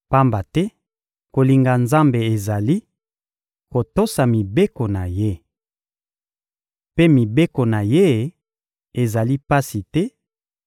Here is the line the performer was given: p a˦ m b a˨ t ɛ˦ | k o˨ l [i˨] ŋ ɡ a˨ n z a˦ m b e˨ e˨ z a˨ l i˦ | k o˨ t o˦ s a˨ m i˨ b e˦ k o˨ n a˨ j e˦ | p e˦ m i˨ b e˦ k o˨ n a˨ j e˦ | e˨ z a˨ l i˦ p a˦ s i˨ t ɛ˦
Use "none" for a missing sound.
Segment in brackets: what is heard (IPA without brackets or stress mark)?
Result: i˨